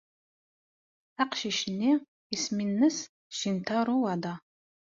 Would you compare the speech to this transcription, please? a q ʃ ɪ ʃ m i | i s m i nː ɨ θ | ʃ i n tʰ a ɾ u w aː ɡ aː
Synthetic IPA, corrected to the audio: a q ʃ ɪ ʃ n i | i s m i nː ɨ s | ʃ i n tʰ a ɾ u w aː d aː